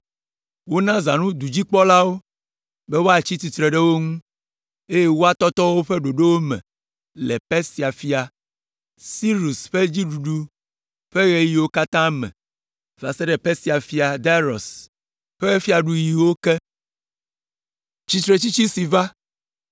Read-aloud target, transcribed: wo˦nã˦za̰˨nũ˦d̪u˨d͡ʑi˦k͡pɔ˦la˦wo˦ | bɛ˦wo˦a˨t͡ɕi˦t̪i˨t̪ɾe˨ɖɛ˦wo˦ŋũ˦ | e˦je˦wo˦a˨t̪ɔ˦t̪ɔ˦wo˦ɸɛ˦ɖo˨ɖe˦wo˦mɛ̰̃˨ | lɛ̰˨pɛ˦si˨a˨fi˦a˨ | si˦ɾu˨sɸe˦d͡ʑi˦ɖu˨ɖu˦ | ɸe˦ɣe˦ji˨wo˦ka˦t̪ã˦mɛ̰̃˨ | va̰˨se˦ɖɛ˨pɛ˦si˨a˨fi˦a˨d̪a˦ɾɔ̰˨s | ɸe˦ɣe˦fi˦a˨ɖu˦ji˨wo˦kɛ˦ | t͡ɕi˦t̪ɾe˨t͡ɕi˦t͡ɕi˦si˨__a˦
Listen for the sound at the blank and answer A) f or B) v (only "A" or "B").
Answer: B